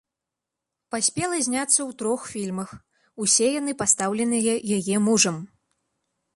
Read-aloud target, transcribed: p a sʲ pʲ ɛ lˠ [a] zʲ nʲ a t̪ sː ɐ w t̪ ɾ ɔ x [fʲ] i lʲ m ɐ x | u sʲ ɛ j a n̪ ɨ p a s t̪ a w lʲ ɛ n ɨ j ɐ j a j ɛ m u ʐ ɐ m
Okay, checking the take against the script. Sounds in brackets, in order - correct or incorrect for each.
incorrect: ɐ, correct

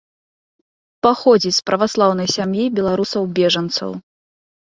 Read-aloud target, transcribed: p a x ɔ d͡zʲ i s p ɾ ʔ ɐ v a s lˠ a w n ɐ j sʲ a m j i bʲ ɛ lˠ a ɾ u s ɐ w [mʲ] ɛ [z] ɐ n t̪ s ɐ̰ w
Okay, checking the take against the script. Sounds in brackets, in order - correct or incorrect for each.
incorrect: bʲ, incorrect: ʐ

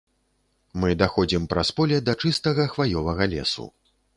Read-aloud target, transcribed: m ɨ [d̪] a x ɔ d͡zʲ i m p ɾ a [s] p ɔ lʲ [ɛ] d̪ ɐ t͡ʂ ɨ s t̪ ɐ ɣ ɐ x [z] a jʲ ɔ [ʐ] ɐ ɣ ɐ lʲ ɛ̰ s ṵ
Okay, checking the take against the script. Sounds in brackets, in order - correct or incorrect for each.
correct, correct, correct, incorrect: v, incorrect: v

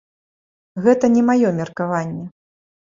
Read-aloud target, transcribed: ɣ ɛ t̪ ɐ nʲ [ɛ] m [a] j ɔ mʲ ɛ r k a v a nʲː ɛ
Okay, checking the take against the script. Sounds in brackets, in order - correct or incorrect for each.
correct, correct

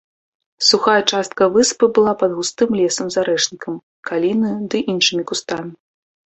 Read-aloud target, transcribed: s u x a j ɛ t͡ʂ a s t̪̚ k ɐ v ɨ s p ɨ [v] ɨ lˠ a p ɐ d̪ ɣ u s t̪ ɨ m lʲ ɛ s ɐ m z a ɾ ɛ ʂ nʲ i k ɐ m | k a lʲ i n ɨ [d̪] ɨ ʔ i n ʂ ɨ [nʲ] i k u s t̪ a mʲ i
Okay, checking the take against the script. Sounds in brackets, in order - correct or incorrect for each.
incorrect: b, correct, incorrect: mʲ

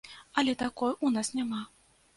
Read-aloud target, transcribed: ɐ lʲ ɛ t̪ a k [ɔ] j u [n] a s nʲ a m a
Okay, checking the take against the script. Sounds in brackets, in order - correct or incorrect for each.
correct, correct

